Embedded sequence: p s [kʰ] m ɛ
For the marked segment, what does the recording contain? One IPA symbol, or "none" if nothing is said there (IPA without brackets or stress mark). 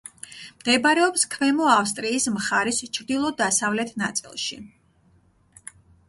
kʰ